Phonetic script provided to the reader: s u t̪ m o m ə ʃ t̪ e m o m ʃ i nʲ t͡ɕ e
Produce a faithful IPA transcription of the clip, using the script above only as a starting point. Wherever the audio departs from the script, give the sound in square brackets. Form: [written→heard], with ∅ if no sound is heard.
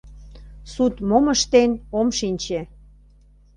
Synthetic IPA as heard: s u t̪ m o m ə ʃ t̪ e [m→n] o m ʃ i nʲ t͡ɕ e